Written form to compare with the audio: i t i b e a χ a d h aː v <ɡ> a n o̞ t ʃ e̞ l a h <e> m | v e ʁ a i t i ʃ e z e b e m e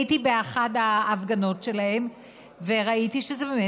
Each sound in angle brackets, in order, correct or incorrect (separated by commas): correct, correct